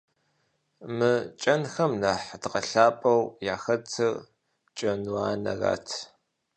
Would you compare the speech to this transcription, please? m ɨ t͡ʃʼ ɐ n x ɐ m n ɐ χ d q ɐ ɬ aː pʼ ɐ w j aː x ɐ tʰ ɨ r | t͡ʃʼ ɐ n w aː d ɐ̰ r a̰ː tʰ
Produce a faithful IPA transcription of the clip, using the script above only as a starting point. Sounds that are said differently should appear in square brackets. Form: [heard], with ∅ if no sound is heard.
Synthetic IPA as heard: m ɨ t͡ʃʼ ɐ n x ɐ m n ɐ [ħ] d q ɐ ɬ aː pʼ ɐ w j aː x ɐ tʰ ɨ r | t͡ʃʼ ɐ n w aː [n] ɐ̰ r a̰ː tʰ